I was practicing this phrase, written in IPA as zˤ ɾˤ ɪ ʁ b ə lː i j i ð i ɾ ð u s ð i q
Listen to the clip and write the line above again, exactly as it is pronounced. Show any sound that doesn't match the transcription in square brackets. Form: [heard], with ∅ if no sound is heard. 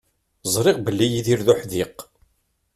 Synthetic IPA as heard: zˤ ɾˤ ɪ ʁ b ə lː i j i ð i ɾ ð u [ħ] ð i q